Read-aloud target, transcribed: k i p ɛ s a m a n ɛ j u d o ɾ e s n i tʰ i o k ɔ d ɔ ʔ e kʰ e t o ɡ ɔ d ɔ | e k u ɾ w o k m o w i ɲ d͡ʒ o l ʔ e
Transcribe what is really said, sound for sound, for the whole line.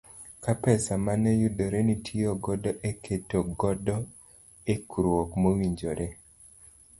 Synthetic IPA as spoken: k a p ɛ s a m a n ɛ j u d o ɾ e n i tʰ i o ɡ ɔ d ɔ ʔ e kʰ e t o ɡ ɔ d ɔ | e k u ɾ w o k m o w i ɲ d͡ʒ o ɾ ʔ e